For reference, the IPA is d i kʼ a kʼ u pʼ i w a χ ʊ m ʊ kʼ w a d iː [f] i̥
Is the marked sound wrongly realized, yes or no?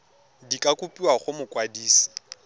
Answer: yes